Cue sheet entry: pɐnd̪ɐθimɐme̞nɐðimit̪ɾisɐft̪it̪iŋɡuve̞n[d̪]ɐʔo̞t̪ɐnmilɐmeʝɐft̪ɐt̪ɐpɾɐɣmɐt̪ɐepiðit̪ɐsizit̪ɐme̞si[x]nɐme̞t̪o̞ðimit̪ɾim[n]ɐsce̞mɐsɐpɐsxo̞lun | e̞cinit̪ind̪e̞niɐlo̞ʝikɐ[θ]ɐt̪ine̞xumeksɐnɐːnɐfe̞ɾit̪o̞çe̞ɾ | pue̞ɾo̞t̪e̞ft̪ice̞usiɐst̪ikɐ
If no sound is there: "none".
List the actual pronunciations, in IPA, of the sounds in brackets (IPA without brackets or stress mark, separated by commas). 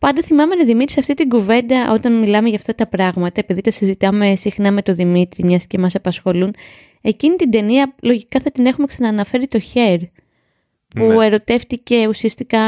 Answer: d̪, x, ɲ, θ